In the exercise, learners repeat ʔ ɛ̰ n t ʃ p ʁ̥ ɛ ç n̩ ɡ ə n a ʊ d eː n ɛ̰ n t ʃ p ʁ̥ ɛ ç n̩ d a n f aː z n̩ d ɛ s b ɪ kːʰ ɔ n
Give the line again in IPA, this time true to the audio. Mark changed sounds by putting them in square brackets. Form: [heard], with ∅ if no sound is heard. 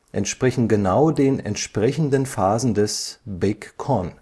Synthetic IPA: ʔ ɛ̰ n t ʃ p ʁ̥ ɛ ç n̩ ɡ ə n a ʊ d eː n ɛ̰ n t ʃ p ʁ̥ ɛ ç n̩ d [ə] n f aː z n̩ d ɛ s b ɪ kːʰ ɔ n